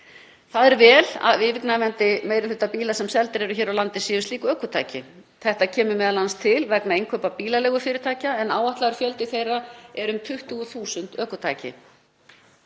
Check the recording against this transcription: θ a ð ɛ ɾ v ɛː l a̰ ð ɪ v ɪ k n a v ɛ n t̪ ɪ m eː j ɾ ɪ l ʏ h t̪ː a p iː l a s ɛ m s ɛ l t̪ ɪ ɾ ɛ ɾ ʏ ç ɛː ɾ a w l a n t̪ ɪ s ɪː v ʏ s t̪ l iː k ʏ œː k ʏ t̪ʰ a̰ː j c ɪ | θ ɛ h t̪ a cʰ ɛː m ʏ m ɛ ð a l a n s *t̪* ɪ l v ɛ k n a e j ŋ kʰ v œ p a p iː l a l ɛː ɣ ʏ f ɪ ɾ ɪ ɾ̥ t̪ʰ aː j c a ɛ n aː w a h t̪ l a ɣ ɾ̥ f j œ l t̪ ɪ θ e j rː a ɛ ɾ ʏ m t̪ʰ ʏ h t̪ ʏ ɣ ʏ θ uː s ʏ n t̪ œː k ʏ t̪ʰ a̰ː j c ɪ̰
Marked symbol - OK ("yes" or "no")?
no